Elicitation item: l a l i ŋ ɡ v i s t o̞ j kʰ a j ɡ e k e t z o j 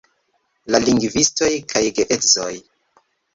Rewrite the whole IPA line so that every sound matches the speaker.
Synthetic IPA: l a l i ŋ ɡ v i s t o̞ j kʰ a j ɡ e ʔ e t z o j